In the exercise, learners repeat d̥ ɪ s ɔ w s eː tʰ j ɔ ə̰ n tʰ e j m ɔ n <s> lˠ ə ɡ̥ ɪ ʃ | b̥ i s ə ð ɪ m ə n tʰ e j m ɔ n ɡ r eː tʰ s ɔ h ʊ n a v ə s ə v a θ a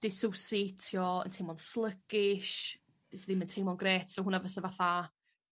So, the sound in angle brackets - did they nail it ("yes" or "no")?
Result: yes